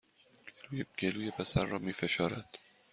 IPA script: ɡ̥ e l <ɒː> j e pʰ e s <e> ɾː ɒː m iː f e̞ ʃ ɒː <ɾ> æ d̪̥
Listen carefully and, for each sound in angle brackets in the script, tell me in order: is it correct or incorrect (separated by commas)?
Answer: incorrect, incorrect, correct